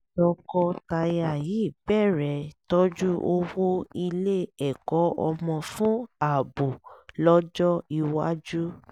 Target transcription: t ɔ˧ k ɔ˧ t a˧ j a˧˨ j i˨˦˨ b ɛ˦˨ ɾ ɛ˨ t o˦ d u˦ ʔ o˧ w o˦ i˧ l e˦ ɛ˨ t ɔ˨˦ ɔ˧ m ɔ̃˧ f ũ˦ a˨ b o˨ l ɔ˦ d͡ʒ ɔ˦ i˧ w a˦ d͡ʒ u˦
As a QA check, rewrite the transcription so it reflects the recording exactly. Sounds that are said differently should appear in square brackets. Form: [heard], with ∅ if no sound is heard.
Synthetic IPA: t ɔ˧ k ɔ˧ t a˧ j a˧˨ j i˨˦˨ b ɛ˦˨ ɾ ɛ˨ t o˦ [d͡ʒ] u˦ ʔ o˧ w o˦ i˧ l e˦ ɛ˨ [k] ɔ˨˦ ɔ˧ m ɔ̃˧ f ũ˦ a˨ b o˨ l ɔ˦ d͡ʒ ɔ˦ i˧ w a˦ d͡ʒ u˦